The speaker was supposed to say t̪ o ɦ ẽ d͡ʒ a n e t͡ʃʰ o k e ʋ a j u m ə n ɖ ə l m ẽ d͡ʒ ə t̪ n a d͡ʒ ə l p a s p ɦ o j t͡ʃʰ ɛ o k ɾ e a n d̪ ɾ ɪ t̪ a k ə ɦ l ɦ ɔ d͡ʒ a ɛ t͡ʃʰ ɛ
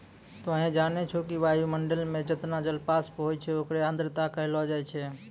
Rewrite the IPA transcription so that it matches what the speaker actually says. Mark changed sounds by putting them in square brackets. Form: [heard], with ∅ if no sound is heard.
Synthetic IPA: t̪ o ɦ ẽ d͡ʒ a n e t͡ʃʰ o k [i] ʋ a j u m ə [ɳ] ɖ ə l m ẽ d͡ʒ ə t̪ n a d͡ʒ ə l p a s p ɦ o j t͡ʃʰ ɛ o k ɾ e a n d̪ ɾ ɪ t̪ a k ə ɦ l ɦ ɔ d͡ʒ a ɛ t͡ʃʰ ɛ